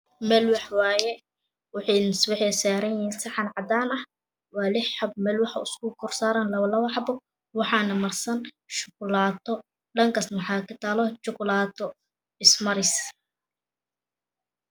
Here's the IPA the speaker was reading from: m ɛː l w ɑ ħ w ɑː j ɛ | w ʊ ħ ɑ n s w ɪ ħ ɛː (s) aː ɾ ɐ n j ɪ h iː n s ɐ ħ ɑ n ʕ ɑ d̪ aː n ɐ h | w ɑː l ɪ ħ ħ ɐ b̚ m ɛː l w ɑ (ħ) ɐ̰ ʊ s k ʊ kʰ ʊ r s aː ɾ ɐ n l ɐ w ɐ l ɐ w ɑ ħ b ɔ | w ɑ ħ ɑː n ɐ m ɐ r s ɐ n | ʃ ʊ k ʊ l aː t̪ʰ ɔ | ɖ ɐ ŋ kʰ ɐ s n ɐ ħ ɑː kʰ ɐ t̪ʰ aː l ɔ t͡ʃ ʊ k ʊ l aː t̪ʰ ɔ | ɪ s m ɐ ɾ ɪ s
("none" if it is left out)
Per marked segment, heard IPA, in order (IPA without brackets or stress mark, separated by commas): s, ħ